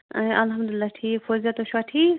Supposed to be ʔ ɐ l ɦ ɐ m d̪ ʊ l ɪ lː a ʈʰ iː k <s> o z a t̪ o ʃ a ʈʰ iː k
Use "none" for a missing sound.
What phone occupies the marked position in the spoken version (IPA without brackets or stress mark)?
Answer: f